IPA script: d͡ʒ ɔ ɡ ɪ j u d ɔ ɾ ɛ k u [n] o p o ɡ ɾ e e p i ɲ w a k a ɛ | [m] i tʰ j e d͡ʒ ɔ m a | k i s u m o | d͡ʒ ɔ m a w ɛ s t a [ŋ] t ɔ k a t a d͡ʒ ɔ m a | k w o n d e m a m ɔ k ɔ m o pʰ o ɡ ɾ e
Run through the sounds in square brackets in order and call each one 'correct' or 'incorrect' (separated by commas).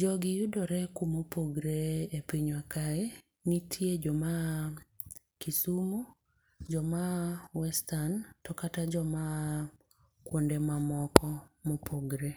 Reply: incorrect, incorrect, incorrect